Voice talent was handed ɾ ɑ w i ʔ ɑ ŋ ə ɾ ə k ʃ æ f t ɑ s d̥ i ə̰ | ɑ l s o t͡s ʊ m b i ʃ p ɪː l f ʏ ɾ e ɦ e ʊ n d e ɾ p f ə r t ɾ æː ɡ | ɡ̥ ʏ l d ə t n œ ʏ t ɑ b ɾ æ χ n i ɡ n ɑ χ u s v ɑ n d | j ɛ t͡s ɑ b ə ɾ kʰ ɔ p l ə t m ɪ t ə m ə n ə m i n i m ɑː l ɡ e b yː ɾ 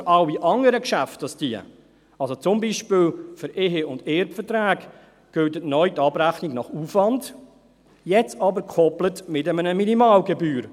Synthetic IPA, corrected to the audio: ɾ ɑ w i ʔ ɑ ŋ ə ɾ ə k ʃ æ f t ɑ s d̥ i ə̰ | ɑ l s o t͡s ʊ m b i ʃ p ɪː l f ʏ ɾ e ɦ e ʊ n d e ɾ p f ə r t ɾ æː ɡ | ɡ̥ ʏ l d ə t n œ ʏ t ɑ b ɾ æ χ n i ɡ n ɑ χ u f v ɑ n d | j ɛ t͡s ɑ b ə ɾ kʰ ɔ p l ə t m ɪ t ə m ə n ə m i n i m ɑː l ɡ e b yː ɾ